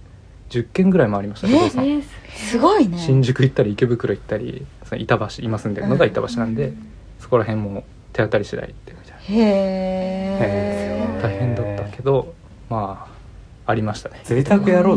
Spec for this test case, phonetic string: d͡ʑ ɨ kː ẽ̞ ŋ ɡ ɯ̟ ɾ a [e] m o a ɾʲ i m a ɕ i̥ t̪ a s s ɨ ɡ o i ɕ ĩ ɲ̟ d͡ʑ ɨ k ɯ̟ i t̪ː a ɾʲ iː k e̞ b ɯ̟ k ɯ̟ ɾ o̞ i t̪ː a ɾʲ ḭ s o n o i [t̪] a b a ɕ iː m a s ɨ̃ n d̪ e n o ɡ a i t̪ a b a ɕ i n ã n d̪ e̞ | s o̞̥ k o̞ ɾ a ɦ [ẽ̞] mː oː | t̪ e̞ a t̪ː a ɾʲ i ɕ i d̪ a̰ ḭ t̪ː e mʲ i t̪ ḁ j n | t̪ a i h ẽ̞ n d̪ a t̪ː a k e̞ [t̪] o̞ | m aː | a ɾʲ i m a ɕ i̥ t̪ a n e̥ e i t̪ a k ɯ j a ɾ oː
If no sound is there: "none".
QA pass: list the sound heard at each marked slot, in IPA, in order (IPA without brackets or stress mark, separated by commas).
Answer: i, t̪, ẽ̞, d̪